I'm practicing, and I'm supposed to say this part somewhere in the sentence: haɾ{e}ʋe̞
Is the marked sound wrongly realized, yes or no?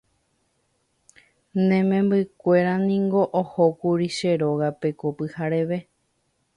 no